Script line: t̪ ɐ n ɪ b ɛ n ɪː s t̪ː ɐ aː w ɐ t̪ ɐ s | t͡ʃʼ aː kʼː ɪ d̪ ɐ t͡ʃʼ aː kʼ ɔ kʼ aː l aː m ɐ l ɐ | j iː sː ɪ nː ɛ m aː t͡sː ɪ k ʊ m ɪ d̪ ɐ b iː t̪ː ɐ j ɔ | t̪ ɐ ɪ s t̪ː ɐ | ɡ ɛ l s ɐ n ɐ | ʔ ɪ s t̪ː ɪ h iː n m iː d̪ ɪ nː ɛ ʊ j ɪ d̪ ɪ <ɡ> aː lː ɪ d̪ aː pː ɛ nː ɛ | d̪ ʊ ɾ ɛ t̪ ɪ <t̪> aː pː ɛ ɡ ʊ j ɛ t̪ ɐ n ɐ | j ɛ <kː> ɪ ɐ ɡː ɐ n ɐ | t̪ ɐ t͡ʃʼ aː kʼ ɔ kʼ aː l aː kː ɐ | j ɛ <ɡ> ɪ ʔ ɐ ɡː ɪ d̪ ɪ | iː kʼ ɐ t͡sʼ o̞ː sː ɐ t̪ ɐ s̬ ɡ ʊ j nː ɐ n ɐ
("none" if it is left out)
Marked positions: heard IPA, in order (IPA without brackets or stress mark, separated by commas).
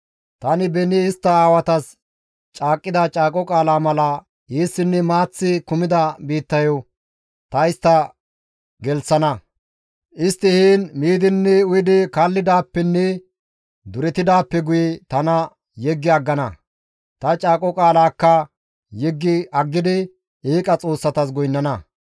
k, d̪, ɡː, ɡː